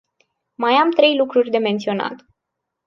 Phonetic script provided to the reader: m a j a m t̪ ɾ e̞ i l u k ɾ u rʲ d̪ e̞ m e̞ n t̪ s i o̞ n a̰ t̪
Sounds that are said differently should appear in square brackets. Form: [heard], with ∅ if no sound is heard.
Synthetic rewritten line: m a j a m t̪ ɾ e̞ [j] l u k ɾ u rʲ d̪ e̞ m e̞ n t̪ s i o̞ n a̰ t̪